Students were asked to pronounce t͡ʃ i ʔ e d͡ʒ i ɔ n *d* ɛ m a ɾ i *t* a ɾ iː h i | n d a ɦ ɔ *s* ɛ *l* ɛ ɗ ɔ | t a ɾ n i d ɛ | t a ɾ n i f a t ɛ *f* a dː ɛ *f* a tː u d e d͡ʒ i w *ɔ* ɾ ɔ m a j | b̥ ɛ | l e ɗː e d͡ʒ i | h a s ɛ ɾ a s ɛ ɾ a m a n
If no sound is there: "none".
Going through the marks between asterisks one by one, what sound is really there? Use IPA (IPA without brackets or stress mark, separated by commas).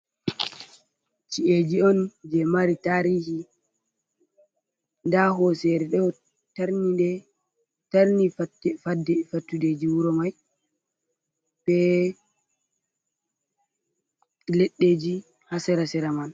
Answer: d͡ʒ, t, s, ɾ, f, f, u